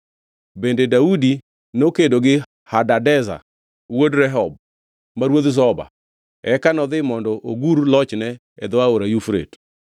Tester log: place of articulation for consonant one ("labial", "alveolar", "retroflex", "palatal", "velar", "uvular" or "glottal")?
labial